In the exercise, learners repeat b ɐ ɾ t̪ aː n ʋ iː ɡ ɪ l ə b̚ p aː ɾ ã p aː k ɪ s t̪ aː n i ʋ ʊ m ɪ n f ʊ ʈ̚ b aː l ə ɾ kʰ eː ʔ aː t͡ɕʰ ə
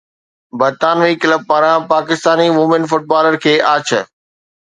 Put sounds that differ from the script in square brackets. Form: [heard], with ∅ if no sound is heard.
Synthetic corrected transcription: b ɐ ɾ t̪ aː n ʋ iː [k] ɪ l ə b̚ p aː ɾ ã p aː k ɪ s t̪ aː n i ʋ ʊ m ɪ n f ʊ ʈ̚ b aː l ə ɾ kʰ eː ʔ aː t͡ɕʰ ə